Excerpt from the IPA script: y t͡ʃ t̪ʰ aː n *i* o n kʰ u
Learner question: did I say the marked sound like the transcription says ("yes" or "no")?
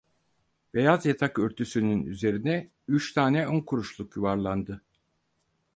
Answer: no